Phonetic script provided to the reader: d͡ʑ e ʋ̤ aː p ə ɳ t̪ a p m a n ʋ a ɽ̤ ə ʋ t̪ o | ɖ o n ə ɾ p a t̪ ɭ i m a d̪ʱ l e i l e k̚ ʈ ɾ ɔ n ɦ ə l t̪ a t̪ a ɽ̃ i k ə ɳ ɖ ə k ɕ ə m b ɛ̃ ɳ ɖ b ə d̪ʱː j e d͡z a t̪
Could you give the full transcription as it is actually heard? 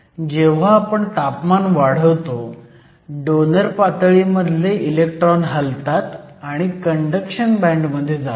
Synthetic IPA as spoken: d͡ʑ e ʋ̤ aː p ə ɳ t̪ a p m a n ʋ a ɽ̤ ə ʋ t̪ o | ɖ o n ə ɾ p a t̪ ɭ i m ə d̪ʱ l e i l e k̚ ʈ ɾ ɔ n ɦ ə l t̪ a t̪ a ɽ̃ i k ə ɳ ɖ ə k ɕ ə n b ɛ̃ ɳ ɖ m ə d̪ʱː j e d͡z a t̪